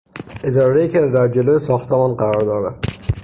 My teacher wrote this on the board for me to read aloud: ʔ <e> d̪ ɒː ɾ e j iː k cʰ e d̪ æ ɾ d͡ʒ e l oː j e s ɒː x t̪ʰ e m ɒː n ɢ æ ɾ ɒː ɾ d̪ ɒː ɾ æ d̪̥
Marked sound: correct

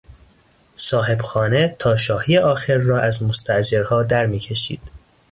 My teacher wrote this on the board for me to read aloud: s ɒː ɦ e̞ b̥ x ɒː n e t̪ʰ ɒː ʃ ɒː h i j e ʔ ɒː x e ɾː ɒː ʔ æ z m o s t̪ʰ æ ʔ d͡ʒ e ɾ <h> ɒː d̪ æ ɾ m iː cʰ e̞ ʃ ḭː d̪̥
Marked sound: correct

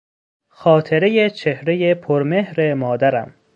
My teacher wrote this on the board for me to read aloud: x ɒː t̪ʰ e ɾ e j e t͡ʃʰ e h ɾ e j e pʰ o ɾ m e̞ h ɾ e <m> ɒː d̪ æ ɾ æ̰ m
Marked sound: correct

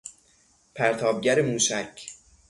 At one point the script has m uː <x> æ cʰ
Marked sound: incorrect: ʃ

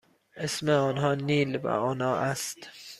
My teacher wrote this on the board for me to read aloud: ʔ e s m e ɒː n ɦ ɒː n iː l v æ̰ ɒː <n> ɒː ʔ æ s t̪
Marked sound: correct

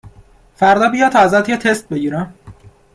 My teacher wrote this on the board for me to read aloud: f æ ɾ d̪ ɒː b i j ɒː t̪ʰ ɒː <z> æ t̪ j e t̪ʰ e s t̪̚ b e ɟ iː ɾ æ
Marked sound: correct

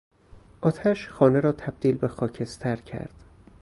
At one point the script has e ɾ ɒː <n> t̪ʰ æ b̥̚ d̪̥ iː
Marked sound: incorrect: none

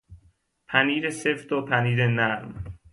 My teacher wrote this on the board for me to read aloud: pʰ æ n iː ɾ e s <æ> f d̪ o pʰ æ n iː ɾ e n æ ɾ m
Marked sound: incorrect: e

